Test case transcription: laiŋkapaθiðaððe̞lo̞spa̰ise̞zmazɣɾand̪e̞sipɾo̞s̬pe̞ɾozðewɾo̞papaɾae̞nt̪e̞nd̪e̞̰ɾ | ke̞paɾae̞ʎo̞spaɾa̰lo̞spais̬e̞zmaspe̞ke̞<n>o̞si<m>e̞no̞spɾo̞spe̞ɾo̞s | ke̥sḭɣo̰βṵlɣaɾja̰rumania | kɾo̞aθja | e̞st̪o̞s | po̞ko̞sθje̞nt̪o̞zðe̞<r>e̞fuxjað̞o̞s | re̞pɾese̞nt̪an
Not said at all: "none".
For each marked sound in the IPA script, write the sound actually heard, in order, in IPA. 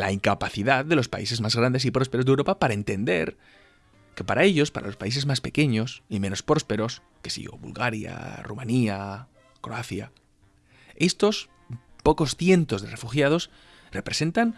ɲ, m, r

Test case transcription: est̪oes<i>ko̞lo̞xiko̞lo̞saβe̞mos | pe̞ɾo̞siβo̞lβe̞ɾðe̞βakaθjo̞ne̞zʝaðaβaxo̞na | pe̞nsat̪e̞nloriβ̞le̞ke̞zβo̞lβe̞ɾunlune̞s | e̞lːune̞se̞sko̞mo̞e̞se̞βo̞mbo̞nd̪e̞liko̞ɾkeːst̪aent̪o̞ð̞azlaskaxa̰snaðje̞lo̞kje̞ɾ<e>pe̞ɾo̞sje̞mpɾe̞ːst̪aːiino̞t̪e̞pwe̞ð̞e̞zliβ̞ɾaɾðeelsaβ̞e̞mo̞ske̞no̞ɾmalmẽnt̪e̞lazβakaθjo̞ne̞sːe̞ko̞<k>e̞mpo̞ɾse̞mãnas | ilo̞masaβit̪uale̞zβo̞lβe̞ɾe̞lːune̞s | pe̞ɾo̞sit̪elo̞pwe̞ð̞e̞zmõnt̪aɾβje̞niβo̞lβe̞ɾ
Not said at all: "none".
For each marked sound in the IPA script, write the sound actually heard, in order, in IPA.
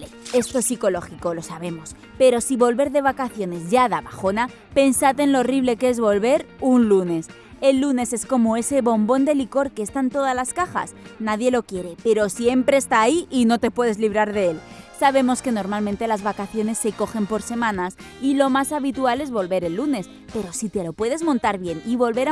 i, e, x

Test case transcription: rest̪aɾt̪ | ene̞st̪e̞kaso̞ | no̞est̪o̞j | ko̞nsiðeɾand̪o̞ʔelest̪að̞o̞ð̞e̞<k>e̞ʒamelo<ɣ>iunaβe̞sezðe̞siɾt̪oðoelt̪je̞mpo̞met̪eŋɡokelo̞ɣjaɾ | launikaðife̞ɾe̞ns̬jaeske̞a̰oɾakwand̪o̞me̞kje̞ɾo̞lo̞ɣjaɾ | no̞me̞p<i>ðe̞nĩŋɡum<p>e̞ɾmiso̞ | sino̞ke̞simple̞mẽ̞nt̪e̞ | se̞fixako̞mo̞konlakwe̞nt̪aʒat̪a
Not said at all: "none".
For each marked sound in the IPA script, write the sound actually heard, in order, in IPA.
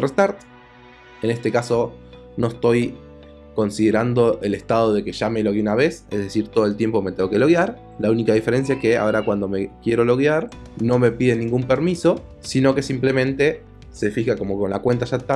k, ɣ, i, p

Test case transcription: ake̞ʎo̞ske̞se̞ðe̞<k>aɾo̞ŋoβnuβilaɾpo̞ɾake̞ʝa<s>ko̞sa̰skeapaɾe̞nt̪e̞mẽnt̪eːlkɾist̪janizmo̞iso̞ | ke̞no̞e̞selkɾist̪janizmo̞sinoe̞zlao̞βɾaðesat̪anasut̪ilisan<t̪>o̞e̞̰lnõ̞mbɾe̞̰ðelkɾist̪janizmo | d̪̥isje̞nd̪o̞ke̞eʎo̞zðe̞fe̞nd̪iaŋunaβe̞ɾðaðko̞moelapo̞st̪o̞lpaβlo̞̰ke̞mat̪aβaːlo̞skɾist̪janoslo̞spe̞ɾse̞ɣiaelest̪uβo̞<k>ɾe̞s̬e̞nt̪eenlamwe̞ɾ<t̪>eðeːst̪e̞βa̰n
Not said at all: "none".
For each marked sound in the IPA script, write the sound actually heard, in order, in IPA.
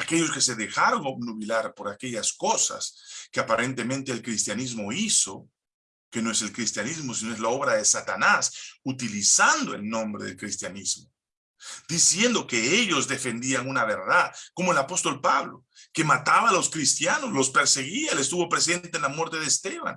x, s, d̪, p, t̪

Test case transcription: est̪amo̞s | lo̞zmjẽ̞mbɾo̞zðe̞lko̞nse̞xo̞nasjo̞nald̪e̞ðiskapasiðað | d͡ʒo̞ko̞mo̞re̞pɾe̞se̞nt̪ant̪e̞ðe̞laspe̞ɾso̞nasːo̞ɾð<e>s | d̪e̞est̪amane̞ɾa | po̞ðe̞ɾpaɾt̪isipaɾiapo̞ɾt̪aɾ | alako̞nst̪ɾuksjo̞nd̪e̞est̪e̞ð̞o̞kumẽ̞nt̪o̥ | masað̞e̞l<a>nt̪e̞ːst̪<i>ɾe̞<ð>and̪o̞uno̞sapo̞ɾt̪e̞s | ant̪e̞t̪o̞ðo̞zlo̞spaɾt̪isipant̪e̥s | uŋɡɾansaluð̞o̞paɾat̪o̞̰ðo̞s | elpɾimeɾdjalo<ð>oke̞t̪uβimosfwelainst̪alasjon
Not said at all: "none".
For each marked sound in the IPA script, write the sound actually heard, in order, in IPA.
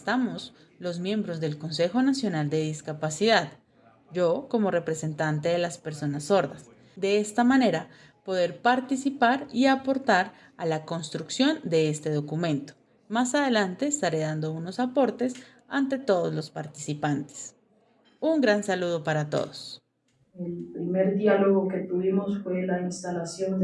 a, a, a, ð, ɣ

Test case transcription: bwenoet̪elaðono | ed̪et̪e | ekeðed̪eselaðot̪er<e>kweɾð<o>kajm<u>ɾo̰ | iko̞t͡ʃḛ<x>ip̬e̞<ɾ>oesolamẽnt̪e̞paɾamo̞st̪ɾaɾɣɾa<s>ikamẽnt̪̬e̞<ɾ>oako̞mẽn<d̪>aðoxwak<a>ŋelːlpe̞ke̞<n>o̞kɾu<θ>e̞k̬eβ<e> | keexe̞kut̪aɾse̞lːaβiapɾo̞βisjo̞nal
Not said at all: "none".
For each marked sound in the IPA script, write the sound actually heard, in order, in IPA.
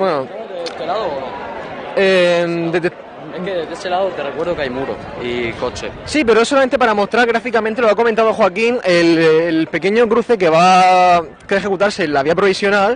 e, o, u, s, ɾ, f, l, t̪, i, ɲ, θ, a

